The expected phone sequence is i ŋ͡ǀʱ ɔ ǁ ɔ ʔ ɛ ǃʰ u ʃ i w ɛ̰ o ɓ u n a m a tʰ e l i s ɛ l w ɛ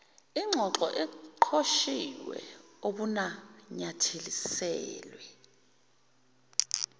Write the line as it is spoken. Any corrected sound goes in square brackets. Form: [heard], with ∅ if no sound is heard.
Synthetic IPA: i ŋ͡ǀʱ ɔ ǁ ɔ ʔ ɛ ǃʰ [o] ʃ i w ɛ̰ o ɓ u n a [ɲ] a tʰ e l i s [ɛː] l w ɛ

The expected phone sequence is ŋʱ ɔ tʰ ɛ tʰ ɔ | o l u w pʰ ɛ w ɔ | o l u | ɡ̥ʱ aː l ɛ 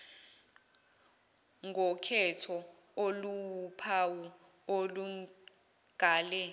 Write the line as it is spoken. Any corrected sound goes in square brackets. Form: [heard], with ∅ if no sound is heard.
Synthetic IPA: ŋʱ ɔ [kʰ] ɛ tʰ ɔ | o l u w pʰ [a] w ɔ | o l u | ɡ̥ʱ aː l ɛ

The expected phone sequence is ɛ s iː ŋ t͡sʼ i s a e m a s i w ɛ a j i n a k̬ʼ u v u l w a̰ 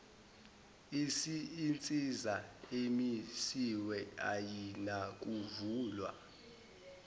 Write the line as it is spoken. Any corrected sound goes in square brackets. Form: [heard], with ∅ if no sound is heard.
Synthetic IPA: [i] s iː [n] t͡sʼ i [z] a e m [i] s i w ɛ a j i n a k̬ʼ u v [uː] l w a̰

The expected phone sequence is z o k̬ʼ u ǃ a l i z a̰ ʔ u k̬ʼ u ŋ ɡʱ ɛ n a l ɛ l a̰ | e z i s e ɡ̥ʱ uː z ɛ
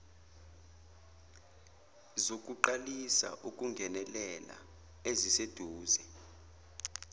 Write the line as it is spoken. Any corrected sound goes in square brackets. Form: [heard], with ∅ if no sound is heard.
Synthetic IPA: z o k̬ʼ u ǃ a l i [s] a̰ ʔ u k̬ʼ u ŋ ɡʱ ɛ n [ɛ] l ɛ l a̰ | e z i s e [d̥ʱ] uː z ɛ

